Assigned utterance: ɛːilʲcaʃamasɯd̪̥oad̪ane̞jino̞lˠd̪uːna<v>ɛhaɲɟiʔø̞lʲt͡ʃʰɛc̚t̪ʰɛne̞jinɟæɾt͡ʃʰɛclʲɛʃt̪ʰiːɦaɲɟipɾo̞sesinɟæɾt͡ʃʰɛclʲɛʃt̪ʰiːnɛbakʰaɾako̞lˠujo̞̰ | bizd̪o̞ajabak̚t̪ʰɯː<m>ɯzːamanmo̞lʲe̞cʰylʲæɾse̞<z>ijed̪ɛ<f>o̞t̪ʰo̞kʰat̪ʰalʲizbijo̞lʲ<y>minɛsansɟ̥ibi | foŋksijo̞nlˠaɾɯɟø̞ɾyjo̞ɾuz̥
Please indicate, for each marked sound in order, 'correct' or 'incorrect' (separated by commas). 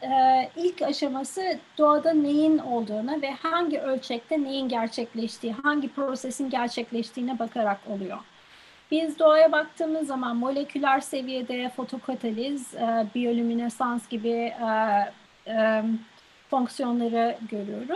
correct, correct, incorrect, correct, correct